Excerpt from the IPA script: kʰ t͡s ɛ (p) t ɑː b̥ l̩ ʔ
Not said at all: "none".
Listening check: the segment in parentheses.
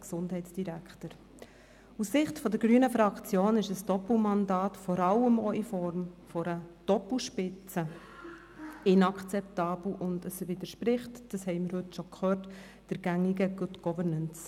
p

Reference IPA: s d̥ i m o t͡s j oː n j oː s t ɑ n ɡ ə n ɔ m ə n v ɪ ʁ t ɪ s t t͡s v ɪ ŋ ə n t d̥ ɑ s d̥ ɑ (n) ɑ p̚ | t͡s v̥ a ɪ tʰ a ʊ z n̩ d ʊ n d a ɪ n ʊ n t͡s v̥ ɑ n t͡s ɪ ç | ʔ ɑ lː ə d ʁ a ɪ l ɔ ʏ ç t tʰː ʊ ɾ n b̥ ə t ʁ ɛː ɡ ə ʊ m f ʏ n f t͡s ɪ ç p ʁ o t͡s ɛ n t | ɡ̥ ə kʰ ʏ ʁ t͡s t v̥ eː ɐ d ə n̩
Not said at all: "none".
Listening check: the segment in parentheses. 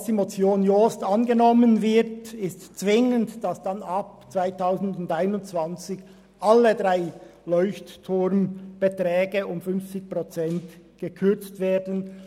n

